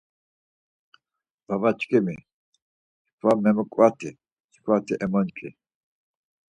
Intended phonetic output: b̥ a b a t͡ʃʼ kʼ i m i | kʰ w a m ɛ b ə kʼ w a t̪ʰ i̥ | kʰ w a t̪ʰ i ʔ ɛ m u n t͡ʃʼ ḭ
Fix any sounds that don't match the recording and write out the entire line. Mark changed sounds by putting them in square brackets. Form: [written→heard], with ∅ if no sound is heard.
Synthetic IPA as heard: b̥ a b a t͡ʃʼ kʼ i m i | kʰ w a m ɛ [b→m] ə kʼ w a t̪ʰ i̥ | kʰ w a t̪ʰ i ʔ ɛ m [u→ɔ] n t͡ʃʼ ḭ